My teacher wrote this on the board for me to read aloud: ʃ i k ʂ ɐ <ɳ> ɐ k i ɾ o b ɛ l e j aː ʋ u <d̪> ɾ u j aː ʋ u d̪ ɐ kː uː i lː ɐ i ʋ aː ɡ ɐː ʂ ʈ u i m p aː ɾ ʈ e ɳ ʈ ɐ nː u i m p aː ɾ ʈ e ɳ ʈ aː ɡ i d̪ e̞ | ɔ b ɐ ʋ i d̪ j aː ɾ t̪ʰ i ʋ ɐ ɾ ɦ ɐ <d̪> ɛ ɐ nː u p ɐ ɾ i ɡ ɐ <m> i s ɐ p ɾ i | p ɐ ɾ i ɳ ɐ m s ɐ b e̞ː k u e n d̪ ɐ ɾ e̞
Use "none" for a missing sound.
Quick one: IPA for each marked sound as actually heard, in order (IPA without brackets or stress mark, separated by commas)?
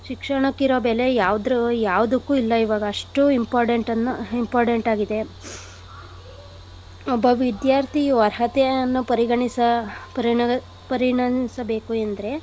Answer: ɳ, d̪, t̪, ɳ